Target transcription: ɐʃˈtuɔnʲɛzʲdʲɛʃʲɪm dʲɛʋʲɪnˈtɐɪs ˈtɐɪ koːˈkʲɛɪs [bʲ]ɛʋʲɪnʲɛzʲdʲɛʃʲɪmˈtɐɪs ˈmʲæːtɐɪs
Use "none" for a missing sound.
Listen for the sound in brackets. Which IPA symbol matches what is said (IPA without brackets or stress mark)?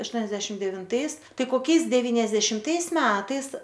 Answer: dʲ